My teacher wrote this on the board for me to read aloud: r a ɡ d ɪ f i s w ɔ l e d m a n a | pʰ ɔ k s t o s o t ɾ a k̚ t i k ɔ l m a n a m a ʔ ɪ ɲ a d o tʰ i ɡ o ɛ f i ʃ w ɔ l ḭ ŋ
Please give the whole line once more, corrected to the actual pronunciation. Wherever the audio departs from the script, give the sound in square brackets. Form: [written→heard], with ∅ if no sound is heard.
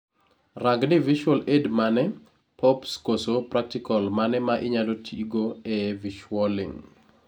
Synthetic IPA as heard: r a ɡ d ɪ [f→v] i [s→ʃ] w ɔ l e d m a n [a→ɛ] | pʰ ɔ [k→p] s [t→k] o s o [t→p] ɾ a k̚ t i k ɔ l m a n [a→ɛ] m a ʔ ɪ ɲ a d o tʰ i ɡ o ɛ [f→v] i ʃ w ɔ l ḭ ŋ